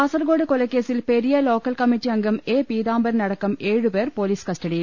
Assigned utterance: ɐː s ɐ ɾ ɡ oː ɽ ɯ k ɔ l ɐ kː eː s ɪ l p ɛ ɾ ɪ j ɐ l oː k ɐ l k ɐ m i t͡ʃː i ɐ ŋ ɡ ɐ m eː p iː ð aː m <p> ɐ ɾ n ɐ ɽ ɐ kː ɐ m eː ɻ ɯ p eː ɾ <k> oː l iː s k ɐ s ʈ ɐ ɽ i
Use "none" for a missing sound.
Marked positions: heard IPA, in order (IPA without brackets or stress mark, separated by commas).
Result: b, p